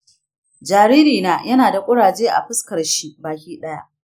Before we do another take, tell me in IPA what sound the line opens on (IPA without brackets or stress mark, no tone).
d͡ʒ